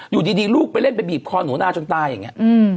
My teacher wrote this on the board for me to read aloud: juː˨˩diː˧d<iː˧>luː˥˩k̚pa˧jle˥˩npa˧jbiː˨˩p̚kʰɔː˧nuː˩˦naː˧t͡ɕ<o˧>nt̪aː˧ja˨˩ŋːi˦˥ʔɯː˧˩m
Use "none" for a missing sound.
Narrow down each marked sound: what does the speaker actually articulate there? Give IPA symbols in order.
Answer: iː˧, o˧

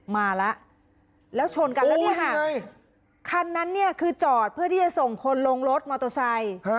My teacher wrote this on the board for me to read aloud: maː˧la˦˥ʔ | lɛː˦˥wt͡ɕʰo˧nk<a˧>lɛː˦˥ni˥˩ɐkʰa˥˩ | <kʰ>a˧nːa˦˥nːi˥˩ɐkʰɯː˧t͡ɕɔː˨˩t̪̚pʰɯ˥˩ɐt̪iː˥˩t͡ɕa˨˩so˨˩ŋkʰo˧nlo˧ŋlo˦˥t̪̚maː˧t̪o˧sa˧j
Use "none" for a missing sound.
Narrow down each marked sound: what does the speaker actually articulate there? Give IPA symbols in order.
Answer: a˧, kʰ

